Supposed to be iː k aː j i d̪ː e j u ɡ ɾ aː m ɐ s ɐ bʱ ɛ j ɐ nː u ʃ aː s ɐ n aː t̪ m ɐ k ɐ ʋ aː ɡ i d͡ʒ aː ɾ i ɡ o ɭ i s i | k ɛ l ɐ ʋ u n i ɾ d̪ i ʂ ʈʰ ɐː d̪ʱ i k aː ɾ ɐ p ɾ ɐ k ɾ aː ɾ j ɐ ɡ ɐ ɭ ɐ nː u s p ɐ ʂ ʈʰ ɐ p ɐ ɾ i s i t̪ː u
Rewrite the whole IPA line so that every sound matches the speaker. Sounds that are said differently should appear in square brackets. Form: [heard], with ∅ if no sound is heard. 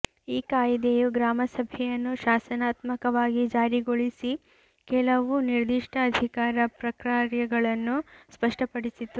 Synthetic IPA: iː k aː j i [d̪] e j u ɡ ɾ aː m ɐ s ɐ bʱ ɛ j ɐ nː u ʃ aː s ɐ n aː t̪ m ɐ k ɐ ʋ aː ɡ i d͡ʒ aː ɾ i ɡ o ɭ i s i | k ɛ l ɐ ʋ u n i ɾ d̪ i ʂ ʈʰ ɐː d̪ʱ i k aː ɾ ɐ p ɾ ɐ k ɾ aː ɾ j ɐ ɡ ɐ ɭ ɐ nː u s p ɐ ʂ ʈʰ ɐ p ɐ [ɽ] i s i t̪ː u

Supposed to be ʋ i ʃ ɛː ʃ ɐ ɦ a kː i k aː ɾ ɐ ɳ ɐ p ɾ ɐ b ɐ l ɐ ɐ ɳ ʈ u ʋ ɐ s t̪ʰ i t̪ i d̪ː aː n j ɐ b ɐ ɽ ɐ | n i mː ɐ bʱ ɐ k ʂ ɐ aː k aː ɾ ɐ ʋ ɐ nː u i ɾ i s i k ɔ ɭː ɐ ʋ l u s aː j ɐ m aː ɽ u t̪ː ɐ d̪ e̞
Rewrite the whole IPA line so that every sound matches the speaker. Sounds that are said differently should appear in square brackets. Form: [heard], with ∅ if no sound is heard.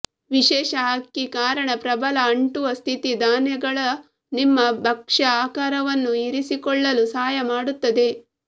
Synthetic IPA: ʋ i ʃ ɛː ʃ ɐ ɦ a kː i k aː ɾ ɐ ɳ ɐ p ɾ ɐ b ɐ l ɐ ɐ ɳ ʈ u ʋ ɐ s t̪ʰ i t̪ i [d̪] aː n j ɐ [ɡ] ɐ [ɭ] ɐ | n i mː ɐ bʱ ɐ k ʂ ɐ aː k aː ɾ ɐ ʋ ɐ nː u i ɾ i s i k ɔ ɭː ɐ [∅] l u s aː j ɐ m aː ɽ u t̪ː ɐ d̪ e̞

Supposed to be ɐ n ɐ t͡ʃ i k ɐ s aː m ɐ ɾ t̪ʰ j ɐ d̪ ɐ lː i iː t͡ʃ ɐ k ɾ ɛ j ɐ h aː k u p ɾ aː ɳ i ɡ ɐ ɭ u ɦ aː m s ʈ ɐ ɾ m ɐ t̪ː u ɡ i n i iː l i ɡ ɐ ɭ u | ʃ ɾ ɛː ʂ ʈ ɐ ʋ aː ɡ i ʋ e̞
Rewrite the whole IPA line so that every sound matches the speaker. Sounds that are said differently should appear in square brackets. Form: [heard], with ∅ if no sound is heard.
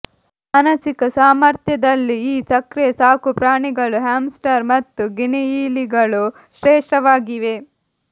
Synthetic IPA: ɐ n ɐ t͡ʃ i k ɐ s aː m ɐ ɾ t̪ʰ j ɐ d̪ ɐ lː i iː t͡ʃ ɐ k ɾ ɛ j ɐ [s] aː k u p ɾ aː ɳ i ɡ ɐ ɭ u ɦ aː m s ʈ ɐ ɾ m ɐ t̪ː u ɡ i n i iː l i ɡ ɐ ɭ u | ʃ ɾ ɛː ʂ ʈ ɐ ʋ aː ɡ i ʋ e̞

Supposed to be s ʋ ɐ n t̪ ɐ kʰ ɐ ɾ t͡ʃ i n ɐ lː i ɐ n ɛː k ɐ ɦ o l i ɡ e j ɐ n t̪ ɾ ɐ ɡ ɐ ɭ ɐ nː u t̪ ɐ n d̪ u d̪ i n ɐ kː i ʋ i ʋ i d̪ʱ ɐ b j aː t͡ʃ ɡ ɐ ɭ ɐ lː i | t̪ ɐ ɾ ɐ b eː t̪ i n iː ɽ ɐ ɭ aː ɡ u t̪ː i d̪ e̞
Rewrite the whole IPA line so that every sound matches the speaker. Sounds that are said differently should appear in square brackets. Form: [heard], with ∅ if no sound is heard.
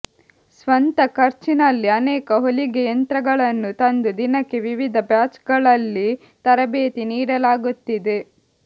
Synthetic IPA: s ʋ ɐ n t̪ ɐ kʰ ɐ ɾ t͡ʃ i n ɐ lː i ɐ n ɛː k ɐ ɦ o l i ɡ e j ɐ n t̪ ɾ ɐ ɡ ɐ ɭ ɐ nː u t̪ ɐ n d̪ u d̪ i n ɐ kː [e] ʋ i ʋ i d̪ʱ ɐ b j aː t͡ʃ ɡ ɐ ɭ ɐ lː i | t̪ ɐ ɾ ɐ b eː t̪ i n iː ɽ ɐ [l] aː ɡ u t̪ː i d̪ e̞

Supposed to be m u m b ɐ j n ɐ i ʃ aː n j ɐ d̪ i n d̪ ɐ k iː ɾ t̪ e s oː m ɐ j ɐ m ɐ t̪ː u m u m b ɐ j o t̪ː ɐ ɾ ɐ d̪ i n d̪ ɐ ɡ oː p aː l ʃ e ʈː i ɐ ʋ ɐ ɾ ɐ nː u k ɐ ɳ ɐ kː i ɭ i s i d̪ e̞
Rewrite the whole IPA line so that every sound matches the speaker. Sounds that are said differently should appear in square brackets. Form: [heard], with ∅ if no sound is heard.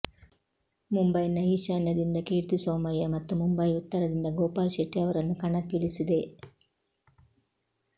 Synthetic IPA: m u m b ɐ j n ɐ i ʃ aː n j ɐ d̪ i n d̪ ɐ k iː ɾ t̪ [i] s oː m ɐ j ɐ m ɐ t̪ː u m u m b ɐ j [u] t̪ː ɐ ɾ ɐ d̪ i n d̪ ɐ ɡ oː p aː l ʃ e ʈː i ɐ ʋ ɐ ɾ ɐ nː u k ɐ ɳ ɐ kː i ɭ i s i d̪ e̞

